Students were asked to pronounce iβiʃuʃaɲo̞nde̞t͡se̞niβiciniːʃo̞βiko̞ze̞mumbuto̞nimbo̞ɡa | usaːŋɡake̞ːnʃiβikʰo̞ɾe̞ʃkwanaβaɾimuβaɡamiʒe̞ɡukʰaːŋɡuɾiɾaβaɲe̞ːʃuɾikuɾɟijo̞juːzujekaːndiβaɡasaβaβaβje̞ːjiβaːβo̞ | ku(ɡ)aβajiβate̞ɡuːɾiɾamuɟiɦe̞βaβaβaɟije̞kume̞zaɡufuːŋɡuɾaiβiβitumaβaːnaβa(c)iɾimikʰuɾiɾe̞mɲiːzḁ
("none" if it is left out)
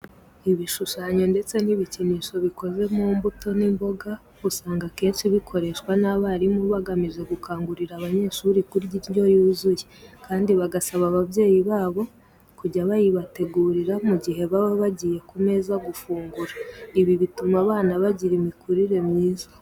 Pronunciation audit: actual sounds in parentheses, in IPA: ɟ, ɟ

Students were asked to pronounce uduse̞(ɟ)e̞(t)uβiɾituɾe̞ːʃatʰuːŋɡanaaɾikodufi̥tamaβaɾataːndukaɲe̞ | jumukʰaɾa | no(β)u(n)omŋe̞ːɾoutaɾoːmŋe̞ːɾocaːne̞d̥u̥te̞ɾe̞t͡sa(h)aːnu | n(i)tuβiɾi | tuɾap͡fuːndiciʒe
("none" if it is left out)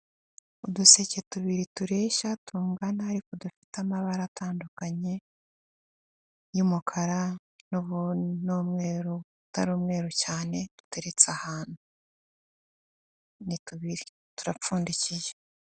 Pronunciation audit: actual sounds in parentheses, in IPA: c, t, β, n, h, i

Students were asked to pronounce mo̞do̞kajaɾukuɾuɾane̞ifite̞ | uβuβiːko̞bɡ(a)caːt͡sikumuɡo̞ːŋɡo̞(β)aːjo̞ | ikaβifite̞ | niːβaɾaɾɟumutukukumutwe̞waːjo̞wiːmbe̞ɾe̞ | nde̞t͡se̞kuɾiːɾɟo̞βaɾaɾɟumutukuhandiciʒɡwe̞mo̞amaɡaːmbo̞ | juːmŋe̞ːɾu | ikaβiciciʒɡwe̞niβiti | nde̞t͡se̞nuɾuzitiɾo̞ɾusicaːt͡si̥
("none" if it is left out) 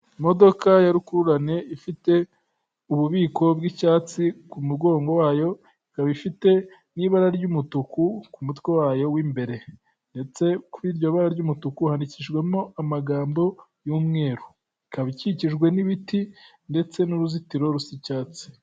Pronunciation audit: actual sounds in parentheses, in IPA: i, w

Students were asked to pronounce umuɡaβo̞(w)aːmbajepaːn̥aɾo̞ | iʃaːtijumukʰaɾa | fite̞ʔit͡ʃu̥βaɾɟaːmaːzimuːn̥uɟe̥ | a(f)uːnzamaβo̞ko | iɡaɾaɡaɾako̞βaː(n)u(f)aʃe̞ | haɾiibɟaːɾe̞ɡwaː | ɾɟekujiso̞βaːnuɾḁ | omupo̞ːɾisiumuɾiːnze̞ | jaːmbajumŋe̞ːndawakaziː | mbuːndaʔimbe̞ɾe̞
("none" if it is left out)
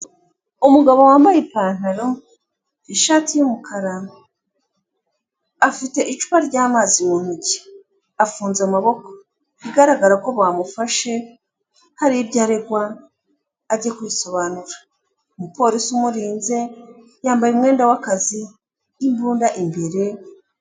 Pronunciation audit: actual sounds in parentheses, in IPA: w, f, m, f

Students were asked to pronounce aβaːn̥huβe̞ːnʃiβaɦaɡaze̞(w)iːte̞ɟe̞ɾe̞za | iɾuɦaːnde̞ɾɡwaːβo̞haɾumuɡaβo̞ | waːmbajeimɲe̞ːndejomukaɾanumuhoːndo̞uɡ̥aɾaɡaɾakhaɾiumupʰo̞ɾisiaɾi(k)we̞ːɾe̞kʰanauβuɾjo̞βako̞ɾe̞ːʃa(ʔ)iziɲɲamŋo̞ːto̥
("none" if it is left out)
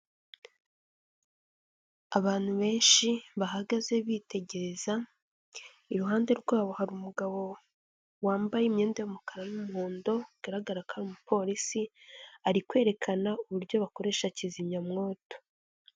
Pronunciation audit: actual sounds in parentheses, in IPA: β, k, c

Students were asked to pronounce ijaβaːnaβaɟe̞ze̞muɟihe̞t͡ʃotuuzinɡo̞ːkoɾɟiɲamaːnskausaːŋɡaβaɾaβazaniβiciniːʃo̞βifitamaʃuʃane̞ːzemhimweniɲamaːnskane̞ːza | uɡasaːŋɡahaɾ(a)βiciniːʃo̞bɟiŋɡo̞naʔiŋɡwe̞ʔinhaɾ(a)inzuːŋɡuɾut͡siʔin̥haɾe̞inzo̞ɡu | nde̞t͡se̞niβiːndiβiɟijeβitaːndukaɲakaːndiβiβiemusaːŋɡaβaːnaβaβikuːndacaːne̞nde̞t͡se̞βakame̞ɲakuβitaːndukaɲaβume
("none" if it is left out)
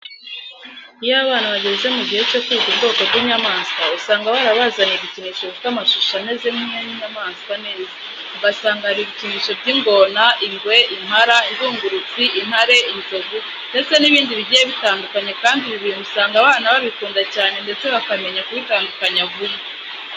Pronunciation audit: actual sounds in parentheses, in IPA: i, a

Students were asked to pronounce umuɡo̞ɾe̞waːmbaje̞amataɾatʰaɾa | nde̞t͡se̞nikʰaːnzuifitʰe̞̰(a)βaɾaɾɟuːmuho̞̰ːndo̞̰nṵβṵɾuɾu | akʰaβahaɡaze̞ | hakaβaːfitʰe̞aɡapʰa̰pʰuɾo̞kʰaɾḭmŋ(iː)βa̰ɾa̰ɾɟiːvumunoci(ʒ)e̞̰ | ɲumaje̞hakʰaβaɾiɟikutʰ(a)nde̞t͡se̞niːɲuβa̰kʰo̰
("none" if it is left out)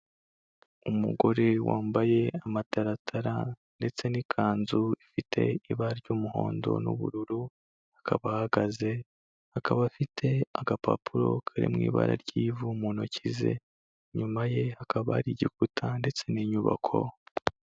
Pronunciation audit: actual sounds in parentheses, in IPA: i, iː, z, a

